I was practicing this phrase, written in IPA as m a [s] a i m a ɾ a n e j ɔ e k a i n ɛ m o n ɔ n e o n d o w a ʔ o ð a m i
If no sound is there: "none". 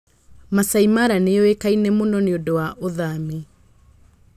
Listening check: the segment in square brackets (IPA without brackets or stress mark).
s